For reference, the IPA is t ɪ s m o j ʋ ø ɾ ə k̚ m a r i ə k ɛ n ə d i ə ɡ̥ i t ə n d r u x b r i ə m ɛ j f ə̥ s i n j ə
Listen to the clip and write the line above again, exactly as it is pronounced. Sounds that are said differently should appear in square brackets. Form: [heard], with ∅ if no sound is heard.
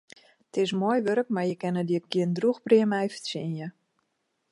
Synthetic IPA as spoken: t ɪ s m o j ʋ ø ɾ ə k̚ m a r [j] ə k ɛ n ə d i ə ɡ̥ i [∅] ə n d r u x b r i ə m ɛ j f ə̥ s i n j ə

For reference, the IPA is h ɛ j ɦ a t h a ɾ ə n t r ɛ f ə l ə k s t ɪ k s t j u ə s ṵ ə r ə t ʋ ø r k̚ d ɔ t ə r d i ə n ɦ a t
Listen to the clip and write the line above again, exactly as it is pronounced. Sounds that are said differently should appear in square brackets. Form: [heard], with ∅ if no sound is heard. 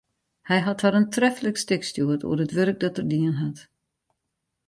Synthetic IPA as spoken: h ɛ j ɦ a t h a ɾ ə n t r ɛ f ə l ə k s t ɪ k s t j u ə [t] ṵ ə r ə t ʋ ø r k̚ d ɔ t ə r d i ə n ɦ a t

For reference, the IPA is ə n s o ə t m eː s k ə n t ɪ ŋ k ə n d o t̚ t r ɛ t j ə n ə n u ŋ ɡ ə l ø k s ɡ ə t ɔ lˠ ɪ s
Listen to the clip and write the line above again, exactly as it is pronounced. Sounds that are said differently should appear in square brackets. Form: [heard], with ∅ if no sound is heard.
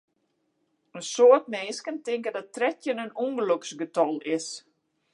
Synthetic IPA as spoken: ə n s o ə t m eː s k ə n t ɪ ŋ k ə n d [ɔ] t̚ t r ɛ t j ə n ə n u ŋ ɡ ə l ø k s ɡ ə t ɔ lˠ ɪ s

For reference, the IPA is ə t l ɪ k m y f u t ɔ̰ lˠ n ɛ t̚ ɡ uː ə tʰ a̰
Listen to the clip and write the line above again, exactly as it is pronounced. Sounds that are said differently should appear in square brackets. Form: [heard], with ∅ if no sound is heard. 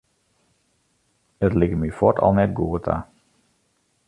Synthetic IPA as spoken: ə t l ɪ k m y f [ɔ] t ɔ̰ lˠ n ɛ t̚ ɡ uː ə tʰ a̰

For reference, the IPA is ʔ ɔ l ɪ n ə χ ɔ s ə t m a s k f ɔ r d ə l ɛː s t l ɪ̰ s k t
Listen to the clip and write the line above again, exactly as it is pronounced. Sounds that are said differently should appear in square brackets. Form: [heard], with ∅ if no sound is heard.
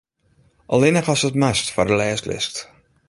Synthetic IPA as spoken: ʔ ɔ l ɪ n ə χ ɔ s ə t m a s [t] f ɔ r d ə l ɛː s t l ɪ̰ s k t

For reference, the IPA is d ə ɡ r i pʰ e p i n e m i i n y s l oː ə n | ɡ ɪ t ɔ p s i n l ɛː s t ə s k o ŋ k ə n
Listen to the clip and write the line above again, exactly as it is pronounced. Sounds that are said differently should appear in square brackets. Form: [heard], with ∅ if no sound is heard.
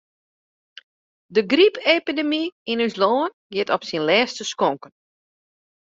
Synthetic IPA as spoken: d ə ɡ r i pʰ e p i [d] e m i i n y s l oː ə n | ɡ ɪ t ɔ p s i n l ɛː s t ə s k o ŋ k ə n

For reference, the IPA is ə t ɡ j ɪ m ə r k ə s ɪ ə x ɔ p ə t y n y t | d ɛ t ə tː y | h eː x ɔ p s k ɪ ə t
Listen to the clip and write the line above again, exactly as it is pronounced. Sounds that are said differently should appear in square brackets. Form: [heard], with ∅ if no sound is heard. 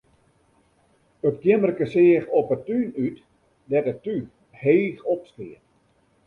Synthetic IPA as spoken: ə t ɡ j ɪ m ə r k ə s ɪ ə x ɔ p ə t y n y t | d ɛ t ə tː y | h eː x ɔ p s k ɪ ə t

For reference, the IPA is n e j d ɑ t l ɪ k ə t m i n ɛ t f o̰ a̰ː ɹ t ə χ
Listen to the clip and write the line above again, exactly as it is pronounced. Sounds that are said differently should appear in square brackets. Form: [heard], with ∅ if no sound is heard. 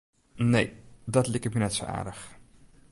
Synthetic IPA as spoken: n e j d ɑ t l ɪ k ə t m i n ɛ t [s] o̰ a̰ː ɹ [d] ə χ

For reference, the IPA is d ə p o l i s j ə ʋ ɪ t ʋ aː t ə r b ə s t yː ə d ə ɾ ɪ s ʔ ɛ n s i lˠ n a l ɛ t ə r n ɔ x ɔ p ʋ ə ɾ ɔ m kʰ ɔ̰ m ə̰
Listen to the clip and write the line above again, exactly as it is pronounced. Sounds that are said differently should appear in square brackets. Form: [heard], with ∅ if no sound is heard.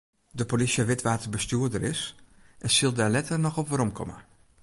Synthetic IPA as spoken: d ə p o l i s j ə ʋ ɪ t ʋ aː t ə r b ə s t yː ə d ə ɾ ɪ s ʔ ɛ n s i lˠ [d] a l ɛ t ə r n ɔ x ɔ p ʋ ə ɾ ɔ m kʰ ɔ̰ m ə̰

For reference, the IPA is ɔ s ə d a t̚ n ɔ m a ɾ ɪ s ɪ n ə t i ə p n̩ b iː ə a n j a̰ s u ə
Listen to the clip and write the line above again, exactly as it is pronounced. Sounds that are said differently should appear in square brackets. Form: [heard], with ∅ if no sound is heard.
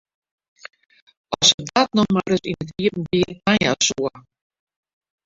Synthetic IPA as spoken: ɔ s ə d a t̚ n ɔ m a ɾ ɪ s [i] n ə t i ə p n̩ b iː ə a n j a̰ s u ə

